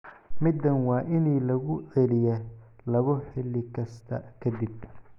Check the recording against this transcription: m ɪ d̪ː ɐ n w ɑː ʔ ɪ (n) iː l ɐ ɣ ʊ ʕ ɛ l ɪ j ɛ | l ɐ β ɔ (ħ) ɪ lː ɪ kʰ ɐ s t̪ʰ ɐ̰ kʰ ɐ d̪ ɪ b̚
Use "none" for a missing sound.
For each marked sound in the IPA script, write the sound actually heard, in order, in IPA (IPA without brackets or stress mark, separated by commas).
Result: n, ħ